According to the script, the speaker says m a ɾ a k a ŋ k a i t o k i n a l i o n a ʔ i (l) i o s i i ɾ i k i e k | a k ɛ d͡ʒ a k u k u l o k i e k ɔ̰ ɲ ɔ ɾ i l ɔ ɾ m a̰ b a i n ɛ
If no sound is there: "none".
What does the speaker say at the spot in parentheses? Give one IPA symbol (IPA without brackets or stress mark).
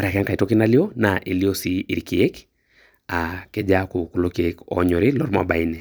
l